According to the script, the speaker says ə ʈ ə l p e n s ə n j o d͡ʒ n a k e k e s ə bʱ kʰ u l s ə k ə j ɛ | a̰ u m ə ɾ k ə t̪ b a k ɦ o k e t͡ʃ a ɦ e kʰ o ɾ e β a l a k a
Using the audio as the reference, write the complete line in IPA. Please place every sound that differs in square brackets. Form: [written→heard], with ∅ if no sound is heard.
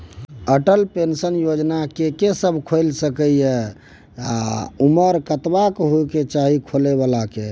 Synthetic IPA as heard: ə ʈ ə l p e n s ə n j o d͡ʒ n a k e k e s ə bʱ kʰ [u→o] l s ə k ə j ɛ | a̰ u m ə ɾ k ə t̪ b a k ɦ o k e t͡ʃ a ɦ [e→i] kʰ o [ɾ→l] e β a l a k [a→e]